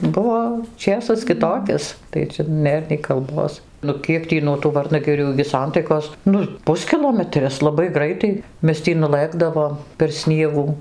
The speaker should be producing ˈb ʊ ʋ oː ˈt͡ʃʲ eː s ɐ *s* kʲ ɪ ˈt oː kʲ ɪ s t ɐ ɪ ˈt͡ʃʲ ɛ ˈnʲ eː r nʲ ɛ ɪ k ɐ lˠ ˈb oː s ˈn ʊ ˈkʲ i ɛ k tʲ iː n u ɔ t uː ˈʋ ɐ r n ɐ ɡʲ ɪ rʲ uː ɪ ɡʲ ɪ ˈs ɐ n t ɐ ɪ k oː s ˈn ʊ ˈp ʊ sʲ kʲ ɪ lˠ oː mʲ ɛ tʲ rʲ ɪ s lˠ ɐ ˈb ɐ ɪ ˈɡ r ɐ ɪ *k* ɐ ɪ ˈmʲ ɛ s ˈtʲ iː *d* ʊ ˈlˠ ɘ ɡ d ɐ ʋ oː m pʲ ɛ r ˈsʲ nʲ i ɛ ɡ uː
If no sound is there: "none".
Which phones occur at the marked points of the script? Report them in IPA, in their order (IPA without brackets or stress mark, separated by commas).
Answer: s, t, n